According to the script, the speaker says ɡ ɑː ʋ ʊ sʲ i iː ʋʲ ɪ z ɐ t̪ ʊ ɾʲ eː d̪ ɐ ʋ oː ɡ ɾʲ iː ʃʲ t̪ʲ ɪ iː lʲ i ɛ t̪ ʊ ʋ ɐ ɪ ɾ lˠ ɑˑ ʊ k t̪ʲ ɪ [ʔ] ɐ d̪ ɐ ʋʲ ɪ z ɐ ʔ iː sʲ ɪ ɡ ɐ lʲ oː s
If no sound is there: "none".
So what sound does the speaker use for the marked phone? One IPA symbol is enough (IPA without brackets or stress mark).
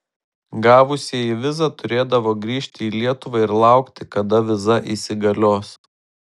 k